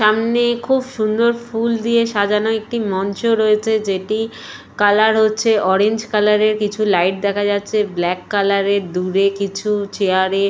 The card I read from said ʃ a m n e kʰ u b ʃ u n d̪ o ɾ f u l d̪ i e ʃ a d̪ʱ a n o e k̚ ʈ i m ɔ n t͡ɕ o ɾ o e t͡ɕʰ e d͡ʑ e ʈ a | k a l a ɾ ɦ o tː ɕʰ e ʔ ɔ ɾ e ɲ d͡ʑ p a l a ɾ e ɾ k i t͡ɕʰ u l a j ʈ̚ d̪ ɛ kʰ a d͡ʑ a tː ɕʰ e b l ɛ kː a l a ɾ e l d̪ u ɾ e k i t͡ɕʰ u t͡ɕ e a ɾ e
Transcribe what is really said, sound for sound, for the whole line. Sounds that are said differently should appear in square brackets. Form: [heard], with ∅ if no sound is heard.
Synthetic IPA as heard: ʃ a m n e kʰ u b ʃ u n d̪ o ɾ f u l d̪ i e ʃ a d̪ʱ a n o e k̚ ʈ i m ɔ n t͡ɕ o ɾ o e t͡ɕʰ e d͡ʑ e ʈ [i] | k a l a ɾ ɦ o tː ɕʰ e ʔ ɔ ɾ e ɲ d͡ʑ [k] a l a ɾ e ɾ k i t͡ɕʰ u l a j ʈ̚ d̪ ɛ kʰ a d͡ʑ a tː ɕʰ e b l ɛ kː a l a ɾ e [ɾ] d̪ u ɾ e k i t͡ɕʰ u t͡ɕ e a ɾ e

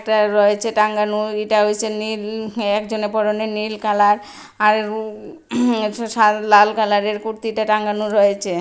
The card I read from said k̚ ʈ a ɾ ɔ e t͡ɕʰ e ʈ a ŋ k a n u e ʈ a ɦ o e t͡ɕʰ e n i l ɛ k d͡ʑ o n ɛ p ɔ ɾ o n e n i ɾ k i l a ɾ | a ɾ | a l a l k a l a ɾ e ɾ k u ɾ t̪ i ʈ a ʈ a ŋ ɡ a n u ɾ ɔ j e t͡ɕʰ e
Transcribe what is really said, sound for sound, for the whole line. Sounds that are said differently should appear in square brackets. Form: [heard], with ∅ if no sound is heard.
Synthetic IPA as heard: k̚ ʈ a ɾ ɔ e t͡ɕʰ e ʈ a ŋ [ɡ] a n u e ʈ a ɦ o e t͡ɕʰ e n i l ɛ k d͡ʑ o n [e] p ɔ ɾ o n e n i [l] k [a] l a ɾ | a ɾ | a l a l k a l a ɾ e ɾ k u ɾ t̪ i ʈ a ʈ a ŋ ɡ a n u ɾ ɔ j e t͡ɕʰ e

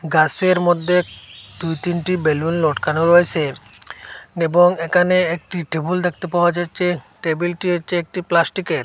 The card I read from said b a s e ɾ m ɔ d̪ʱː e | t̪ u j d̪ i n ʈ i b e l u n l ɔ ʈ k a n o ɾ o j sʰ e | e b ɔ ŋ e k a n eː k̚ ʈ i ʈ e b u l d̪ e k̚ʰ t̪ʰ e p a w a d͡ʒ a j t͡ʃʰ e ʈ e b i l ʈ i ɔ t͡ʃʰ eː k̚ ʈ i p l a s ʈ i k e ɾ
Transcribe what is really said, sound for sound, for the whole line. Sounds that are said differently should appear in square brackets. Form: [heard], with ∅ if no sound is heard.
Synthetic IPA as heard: [ɡ] a s e ɾ m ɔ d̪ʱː e | [d̪] u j [t̪] i n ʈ i b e l u n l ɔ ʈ k a n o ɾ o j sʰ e | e b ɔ ŋ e k a n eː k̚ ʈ i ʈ e b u l d̪ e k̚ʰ [t̪] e p a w a d͡ʒ a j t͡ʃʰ e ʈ e b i l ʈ i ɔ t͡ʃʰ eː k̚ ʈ i p l a s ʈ i k e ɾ

